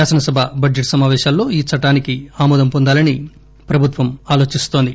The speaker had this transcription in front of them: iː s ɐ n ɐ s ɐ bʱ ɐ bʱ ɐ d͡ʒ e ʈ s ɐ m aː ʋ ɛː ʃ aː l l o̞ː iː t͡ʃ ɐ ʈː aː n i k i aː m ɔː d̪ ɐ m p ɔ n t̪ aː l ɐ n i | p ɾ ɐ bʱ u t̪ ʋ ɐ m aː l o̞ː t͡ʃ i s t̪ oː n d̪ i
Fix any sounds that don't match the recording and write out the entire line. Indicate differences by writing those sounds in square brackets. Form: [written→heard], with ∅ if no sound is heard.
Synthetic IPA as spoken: [iː→aː] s ɐ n ɐ s ɐ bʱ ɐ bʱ ɐ d͡ʒ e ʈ s ɐ m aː ʋ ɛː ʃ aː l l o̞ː iː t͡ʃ ɐ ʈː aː n i k i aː m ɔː d̪ ɐ m p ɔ n [t̪→d̪] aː l ɐ n i | p ɾ ɐ bʱ u t̪ ʋ ɐ m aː l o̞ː t͡ʃ i s t̪ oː n d̪ i

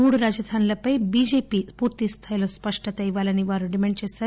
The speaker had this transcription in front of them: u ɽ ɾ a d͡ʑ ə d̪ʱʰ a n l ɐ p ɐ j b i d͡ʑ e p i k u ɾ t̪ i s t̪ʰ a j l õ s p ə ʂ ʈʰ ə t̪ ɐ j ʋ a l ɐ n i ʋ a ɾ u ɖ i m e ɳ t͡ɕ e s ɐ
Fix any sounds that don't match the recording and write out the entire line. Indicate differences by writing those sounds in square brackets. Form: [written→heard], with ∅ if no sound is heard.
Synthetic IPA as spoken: u ɽ ɾ a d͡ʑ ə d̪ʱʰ a n l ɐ p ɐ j b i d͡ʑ e p i [k→p] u ɾ t̪ i s t̪ʰ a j l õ s p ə ʂ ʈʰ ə t̪ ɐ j ʋ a l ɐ n i ʋ a ɾ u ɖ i m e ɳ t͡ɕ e s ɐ

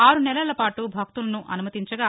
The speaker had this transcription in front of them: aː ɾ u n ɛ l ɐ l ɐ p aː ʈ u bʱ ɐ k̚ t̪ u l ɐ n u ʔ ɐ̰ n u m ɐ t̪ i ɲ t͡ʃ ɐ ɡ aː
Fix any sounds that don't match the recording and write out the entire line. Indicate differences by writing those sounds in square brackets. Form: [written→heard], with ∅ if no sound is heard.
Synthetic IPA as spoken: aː ɾ u n ɛ l ɐ l ɐ p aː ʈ u bʱ ɐ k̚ t̪ u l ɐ n u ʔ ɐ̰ n u m ɐ t̪ i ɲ t͡ʃ ɐ ɡ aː

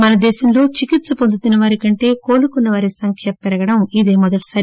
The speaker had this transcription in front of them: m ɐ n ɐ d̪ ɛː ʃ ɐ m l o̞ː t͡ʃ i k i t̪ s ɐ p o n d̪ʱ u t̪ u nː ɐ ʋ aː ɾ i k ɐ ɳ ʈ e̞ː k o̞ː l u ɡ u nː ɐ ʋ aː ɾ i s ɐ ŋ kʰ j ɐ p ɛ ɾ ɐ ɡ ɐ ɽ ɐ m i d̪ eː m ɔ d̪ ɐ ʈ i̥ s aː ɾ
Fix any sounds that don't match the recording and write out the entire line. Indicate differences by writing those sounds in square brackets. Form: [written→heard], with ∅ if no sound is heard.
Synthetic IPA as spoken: m ɐ n ɐ d̪ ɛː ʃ ɐ m l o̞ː t͡ʃ i k i t̪ s ɐ p o n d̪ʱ u t̪ u nː ɐ ʋ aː ɾ i k ɐ ɳ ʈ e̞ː k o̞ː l u [ɡ→k] u nː ɐ ʋ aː ɾ i s ɐ ŋ kʰ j ɐ p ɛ ɾ ɐ ɡ ɐ ɽ ɐ m i d̪ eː m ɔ d̪ ɐ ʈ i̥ s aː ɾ

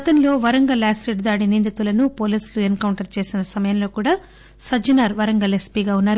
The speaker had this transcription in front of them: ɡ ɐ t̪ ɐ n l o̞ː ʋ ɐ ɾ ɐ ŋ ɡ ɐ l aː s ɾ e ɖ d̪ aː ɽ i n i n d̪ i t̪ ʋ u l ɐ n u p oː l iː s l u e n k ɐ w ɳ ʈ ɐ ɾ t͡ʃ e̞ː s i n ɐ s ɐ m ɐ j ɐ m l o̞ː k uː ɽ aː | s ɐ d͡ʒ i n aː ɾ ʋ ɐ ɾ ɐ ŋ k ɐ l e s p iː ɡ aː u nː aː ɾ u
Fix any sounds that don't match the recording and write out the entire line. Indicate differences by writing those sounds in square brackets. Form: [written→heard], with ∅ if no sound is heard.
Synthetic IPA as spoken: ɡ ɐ t̪ ɐ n l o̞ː ʋ ɐ ɾ ɐ ŋ ɡ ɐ l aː s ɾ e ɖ d̪ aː ɽ i n i n d̪ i t̪ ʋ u l ɐ n u p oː l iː s l u e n k ɐ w ɳ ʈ ɐ ɾ t͡ʃ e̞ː s i n ɐ s ɐ m ɐ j ɐ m l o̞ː k uː ɽ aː | s ɐ d͡ʒ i n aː ɾ ʋ ɐ ɾ ɐ ŋ [k→ɡ] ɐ l e s p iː ɡ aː u nː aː ɾ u

